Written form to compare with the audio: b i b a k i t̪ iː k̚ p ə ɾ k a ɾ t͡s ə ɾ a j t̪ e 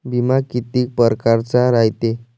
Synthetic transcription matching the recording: b i m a k i t̪ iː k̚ p ə ɾ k a ɾ t͡s a ɾ a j t̪ e